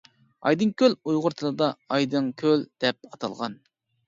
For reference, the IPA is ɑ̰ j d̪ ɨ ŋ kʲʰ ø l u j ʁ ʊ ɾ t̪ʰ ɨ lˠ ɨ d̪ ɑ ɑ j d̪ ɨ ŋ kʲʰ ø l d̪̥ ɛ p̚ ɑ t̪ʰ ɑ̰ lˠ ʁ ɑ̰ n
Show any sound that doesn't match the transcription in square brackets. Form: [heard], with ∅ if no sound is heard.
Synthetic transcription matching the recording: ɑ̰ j d̪ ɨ ŋ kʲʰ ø l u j ʁ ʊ ɾ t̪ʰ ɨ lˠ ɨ d̪ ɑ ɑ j d̪ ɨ ŋ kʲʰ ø l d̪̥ ɛ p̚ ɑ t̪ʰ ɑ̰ lˠ ʁ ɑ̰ n